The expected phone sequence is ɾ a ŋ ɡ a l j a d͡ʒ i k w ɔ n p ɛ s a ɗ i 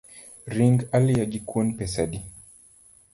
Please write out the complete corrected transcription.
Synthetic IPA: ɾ i ŋ ɡ a l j a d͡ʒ i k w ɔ n p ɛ s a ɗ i